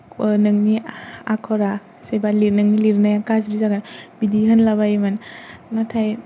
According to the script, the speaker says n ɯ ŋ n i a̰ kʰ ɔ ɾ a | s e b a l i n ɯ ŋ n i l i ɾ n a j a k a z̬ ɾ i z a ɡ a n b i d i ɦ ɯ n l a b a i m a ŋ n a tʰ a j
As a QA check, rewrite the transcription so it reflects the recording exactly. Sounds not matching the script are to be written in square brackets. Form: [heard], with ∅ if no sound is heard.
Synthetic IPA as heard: n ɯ ŋ n i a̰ kʰ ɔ ɾ a | s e b a l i n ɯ ŋ n i l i ɾ n a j a k a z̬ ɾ i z a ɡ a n b i d i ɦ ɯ n l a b a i m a [n] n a tʰ a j